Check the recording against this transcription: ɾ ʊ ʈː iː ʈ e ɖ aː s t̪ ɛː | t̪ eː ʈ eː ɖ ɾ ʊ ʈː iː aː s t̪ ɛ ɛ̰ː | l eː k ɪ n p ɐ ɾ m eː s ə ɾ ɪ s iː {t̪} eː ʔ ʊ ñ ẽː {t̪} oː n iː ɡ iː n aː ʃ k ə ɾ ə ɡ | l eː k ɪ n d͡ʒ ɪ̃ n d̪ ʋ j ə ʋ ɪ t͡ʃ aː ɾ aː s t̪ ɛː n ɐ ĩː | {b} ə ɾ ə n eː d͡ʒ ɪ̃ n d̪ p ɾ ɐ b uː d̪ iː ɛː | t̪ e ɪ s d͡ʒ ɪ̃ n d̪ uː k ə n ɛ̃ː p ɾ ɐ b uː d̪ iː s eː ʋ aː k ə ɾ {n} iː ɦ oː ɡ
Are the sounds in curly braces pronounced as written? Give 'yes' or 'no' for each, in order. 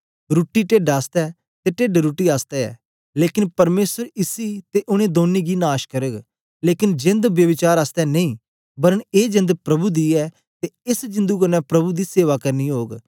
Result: yes, no, yes, yes

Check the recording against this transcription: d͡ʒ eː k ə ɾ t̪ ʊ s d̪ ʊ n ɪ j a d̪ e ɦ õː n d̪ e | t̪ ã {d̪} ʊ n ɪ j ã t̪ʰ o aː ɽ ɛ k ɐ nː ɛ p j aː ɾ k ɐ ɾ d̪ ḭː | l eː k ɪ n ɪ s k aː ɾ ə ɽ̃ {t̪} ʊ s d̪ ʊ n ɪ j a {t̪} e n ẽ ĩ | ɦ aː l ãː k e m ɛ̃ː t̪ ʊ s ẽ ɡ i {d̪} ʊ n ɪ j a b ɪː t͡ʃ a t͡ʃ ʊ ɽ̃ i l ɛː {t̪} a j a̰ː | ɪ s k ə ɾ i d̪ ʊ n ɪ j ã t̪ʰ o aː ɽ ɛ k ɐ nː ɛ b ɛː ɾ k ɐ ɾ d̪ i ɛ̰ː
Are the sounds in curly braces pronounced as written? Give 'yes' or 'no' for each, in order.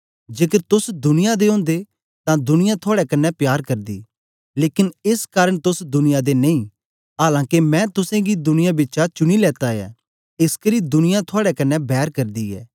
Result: yes, yes, no, yes, yes

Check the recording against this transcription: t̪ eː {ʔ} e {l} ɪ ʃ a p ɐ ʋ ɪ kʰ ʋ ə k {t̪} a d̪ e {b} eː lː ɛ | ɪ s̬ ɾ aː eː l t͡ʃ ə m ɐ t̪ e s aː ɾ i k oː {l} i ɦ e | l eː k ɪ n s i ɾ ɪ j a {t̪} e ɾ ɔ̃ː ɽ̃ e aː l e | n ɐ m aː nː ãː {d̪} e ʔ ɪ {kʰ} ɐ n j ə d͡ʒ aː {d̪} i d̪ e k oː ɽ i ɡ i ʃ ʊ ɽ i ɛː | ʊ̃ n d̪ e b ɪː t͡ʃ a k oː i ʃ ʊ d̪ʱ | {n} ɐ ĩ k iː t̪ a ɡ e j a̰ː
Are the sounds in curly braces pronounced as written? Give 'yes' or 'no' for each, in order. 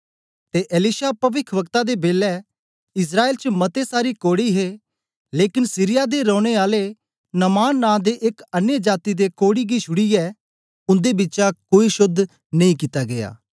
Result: yes, yes, yes, yes, no, no, yes, no, no, yes

